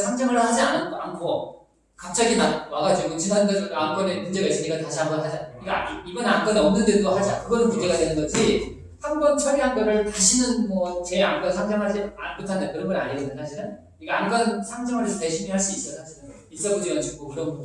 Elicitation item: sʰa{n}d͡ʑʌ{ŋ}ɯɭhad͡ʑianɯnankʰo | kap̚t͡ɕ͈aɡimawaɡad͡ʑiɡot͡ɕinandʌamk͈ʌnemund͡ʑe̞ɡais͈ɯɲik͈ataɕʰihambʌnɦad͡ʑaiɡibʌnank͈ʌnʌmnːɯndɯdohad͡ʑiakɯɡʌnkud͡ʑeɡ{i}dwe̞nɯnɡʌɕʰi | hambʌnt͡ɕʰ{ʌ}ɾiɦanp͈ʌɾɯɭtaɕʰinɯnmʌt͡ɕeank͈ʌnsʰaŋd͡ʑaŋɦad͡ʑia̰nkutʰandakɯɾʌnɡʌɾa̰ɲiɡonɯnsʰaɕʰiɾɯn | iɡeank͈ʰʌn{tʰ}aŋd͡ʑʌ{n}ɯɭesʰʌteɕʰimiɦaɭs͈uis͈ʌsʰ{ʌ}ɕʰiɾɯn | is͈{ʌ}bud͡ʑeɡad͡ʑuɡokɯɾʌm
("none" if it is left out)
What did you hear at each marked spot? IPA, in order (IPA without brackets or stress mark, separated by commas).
ŋ, ŋ, a, ʌ, sʰ, ŋ, a, ʌ